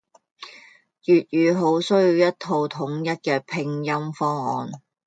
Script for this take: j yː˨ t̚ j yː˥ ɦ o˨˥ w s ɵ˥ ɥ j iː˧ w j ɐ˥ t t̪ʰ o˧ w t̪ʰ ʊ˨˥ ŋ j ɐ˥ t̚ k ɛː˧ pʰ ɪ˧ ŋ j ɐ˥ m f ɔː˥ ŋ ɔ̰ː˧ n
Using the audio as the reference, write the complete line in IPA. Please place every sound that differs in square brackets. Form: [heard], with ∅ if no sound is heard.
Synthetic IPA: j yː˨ t̚ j [yː˨˧] ɦ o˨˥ w s ɵ˥ ɥ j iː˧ w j ɐ˥ t t̪ʰ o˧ w t̪ʰ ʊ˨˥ ŋ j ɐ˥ t̚ k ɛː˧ pʰ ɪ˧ ŋ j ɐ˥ m f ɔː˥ ŋ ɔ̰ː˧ n